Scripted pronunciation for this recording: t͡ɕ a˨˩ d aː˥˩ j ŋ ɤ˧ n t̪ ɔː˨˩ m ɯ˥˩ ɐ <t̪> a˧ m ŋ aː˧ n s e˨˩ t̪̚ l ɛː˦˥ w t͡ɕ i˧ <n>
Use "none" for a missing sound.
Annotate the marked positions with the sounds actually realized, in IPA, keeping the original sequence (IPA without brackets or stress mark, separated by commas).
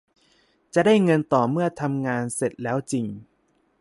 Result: t̪ʰ, ŋ